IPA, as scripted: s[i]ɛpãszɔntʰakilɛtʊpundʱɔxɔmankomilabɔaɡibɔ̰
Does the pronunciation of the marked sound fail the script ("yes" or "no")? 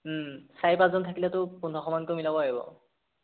yes